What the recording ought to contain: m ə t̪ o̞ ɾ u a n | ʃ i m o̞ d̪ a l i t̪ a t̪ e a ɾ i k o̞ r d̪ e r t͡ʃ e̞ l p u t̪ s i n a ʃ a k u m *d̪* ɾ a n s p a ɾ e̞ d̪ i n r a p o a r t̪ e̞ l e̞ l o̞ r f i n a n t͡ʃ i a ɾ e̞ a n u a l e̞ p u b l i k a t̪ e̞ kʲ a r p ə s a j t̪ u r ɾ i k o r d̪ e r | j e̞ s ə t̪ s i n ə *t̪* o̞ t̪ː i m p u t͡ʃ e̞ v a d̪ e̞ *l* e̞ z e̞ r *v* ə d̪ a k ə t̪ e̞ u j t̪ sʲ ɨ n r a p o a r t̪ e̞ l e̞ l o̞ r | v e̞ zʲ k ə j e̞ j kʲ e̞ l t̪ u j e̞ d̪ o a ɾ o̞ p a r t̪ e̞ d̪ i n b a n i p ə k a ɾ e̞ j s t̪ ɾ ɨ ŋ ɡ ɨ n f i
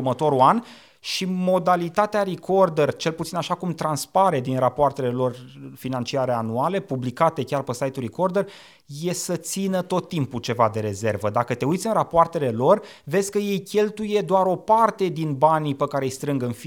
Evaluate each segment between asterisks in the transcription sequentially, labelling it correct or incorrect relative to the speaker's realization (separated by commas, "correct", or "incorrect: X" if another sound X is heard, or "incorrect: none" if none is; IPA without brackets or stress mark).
incorrect: t̪, correct, incorrect: ɾ, correct